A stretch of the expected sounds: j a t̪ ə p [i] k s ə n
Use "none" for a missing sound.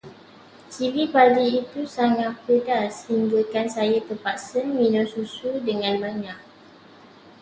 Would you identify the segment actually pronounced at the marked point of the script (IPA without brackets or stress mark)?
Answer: a